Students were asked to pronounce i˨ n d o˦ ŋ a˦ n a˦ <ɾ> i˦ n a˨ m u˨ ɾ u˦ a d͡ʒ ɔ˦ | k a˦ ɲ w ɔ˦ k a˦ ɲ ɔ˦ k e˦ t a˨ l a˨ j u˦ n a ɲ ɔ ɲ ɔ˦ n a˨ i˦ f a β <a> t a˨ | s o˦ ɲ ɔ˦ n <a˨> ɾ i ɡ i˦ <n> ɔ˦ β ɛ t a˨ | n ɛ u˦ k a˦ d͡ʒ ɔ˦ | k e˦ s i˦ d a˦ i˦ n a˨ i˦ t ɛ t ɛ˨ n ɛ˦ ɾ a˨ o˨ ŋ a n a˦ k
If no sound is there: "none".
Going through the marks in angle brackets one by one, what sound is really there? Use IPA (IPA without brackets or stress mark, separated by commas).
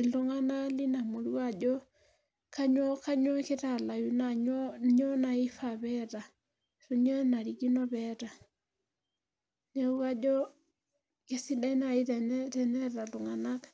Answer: l, ɛ, a˨, n